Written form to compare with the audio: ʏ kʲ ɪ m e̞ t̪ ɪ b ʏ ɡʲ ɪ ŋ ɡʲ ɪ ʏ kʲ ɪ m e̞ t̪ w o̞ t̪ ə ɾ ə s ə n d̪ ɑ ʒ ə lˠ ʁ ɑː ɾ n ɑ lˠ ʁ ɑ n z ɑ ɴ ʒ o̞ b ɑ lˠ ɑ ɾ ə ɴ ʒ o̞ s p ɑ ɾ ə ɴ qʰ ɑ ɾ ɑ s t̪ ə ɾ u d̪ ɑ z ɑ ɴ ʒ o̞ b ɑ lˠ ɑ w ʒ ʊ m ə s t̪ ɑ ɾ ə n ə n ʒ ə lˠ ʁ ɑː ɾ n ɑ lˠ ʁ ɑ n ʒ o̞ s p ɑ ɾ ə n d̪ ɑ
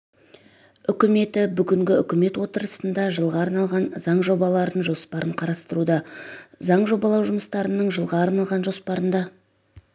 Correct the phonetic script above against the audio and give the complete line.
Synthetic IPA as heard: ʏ kʲ ɪ m e̞ t̪ ɪ b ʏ ɡʲ ɪ ŋ ɡʲ ɪ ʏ kʲ ɪ m e̞ t̪ w o̞ t̪ ə ɾ ə s ə n d̪ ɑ ʒ ə lˠ ʁ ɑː ɾ n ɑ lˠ ʁ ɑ n z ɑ ɴ ʒ o̞ b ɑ lˠ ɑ ɾ ə n ʒ o̞ s p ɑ ɾ ə ɴ qʰ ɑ ɾ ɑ s t̪ ə ɾ u d̪ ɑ z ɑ ɴ ʒ o̞ b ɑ lˠ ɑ w ʒ ʊ m ə s t̪ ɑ ɾ ə n ə ɴ ʒ ə lˠ ʁ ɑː ɾ n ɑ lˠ ʁ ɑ n ʒ o̞ s p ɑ ɾ ə n d̪ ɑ

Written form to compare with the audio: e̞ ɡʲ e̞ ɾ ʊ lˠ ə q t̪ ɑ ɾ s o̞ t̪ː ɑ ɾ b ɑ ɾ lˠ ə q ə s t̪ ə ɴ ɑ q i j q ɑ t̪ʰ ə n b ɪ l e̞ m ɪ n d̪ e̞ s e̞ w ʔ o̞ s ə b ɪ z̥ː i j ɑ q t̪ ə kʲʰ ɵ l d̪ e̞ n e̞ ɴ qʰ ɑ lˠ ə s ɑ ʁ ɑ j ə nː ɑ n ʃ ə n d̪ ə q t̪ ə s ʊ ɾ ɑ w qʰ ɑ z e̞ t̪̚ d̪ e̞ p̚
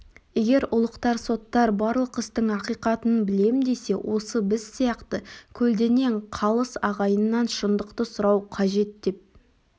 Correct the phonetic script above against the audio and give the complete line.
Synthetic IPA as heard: e̞ ɡʲ e̞ ɾ ʊ lˠ ə q t̪ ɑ ɾ s o̞ t̪ː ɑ ɾ b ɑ ɾ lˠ ə q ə s t̪ ə ɴ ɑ q i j q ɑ t̪ ə n b ɪ l e̞ m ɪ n d̪ e̞ s e̞ w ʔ o̞ s ə b ɪ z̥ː i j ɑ q t̪ ə kʲʰ ɵ l d̪ e̞ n e̞ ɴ qʰ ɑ lˠ ə s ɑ ʁ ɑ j ə nː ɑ n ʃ ə n d̪ ə q t̪ ə s ʊ ɾ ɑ w qʰ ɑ ʒ e̞ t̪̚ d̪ e̞ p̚

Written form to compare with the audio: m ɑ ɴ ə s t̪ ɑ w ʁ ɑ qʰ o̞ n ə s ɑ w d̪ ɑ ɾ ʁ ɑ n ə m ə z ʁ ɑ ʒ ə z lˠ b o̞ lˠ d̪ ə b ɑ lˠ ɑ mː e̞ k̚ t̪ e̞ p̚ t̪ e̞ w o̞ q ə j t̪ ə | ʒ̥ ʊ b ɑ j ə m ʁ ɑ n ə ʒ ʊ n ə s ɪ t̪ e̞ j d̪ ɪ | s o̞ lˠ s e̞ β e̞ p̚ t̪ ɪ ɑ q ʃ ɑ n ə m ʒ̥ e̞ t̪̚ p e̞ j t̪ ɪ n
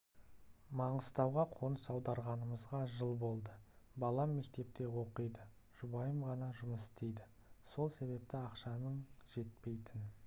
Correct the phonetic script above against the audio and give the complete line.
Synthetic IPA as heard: m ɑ ɴ ə s t̪ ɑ w ʁ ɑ qʰ o̞ n ə s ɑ w d̪ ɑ ɾ ʁ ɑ n ə m ə z ʁ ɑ ʒ ə lˠ b o̞ lˠ d̪ ə b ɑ lˠ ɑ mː e̞ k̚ t̪ e̞ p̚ t̪ e̞ w o̞ q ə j d̪ ə | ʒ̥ ʊ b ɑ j ə m ʁ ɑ n ɑ ʒ ʊ m ə s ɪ t̪ e̞ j d̪ ɪ | s o̞ lˠ s e̞ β e̞ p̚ t̪ ɪ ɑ q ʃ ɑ n ə ɴ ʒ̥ e̞ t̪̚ p e̞ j t̪ ɪ n

